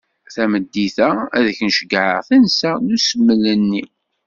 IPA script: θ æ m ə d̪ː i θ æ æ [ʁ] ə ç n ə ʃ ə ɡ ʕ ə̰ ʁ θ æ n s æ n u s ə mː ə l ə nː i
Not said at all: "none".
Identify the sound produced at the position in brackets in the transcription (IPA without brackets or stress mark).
ð